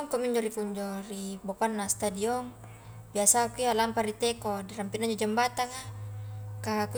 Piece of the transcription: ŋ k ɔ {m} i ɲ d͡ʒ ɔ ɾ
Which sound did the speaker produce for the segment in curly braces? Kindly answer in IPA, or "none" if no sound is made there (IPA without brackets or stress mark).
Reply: m